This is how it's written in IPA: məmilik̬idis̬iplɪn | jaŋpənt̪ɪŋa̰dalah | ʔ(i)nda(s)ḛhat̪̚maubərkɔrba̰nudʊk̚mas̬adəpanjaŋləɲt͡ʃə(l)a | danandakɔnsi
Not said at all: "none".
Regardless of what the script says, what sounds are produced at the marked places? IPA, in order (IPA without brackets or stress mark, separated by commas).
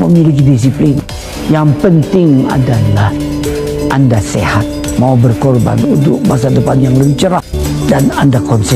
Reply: a, s, ɾ